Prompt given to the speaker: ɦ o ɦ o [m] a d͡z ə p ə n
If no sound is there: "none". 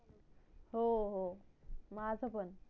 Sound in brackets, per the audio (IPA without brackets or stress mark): m